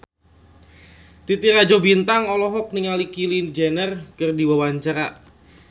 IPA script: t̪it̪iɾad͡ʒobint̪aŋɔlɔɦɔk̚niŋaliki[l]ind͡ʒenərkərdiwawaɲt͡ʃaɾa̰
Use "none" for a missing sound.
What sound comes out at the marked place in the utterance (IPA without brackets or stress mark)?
l